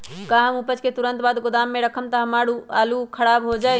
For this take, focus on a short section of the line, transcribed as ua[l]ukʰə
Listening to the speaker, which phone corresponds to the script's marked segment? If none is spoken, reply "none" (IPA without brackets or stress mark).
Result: l